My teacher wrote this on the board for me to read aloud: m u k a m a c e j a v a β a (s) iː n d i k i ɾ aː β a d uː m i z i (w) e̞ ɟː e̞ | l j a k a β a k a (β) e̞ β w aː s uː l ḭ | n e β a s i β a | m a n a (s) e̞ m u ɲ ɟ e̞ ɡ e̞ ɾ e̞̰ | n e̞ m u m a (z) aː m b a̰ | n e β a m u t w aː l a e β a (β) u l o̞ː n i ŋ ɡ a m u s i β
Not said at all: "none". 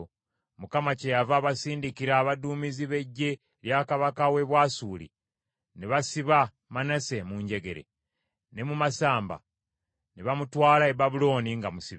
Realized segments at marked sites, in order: s, β, w, s, s, β

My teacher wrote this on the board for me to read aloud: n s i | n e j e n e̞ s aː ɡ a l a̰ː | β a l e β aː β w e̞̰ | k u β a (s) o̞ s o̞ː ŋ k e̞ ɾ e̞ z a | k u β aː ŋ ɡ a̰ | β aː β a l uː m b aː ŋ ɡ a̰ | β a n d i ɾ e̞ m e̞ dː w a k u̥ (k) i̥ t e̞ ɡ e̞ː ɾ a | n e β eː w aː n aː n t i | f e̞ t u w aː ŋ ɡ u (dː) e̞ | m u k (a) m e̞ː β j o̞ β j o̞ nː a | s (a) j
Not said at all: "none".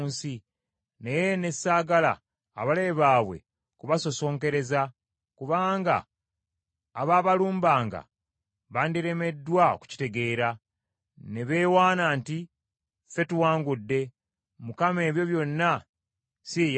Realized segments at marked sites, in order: s, c, dː, a, i

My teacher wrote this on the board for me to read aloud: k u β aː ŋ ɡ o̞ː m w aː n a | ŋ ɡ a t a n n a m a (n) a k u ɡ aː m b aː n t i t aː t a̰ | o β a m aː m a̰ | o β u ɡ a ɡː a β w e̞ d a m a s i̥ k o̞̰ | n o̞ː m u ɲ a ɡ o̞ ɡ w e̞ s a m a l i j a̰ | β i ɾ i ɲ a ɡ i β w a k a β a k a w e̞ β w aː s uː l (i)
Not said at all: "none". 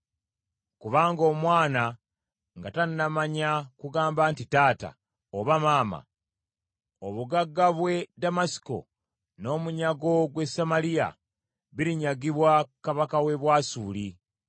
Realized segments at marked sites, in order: ɲ, i

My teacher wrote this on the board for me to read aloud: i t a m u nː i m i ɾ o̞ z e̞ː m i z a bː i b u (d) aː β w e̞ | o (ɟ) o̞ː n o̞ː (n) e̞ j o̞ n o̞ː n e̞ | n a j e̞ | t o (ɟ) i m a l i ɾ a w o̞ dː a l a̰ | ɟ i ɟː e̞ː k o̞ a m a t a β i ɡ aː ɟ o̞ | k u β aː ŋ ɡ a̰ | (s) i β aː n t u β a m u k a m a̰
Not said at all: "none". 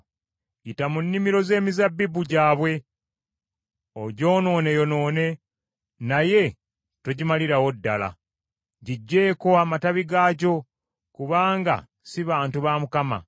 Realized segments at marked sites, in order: ɟ, ɟ, n, ɟ, s

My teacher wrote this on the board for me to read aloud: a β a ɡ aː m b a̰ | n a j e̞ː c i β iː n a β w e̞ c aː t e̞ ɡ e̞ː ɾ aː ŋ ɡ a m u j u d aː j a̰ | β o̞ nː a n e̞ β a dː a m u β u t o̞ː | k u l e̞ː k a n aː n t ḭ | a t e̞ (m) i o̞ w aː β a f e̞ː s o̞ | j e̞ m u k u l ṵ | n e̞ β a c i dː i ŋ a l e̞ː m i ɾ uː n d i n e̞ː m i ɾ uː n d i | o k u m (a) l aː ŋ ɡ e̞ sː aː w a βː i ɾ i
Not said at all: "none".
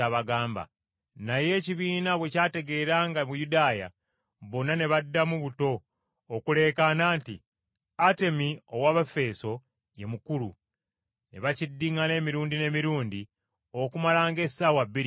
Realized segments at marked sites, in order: m, a

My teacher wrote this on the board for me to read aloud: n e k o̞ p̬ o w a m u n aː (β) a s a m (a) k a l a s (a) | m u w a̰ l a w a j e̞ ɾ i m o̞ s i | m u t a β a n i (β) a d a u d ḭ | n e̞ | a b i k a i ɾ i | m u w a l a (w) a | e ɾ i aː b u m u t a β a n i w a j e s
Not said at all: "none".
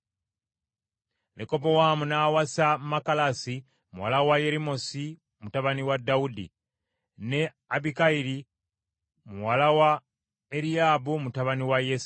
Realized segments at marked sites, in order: w, a, i, w, w

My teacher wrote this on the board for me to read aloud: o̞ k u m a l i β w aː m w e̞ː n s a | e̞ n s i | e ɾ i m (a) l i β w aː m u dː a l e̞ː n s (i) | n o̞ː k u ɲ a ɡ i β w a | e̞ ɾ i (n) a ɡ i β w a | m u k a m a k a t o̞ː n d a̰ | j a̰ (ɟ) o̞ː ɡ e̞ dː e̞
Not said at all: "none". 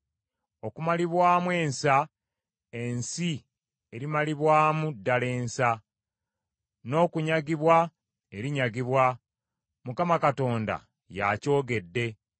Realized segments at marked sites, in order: a, a, ɲ, c

